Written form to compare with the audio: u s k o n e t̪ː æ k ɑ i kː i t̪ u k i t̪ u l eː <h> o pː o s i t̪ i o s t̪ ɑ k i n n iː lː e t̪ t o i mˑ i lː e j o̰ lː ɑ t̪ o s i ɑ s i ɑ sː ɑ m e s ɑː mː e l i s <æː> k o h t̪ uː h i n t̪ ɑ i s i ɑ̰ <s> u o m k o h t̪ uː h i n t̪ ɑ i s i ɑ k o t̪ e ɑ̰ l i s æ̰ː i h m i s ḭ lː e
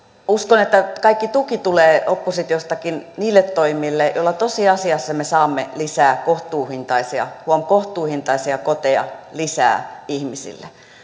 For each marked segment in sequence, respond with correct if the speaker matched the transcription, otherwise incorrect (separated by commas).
incorrect, correct, incorrect